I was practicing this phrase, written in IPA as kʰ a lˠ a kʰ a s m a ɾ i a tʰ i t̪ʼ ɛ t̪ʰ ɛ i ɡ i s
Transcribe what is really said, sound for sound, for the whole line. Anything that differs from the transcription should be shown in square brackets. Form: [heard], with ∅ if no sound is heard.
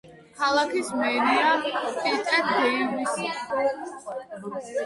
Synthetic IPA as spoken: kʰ a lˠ a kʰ [i] s m [ɛ] ɾ i a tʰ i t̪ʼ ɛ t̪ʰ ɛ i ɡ i s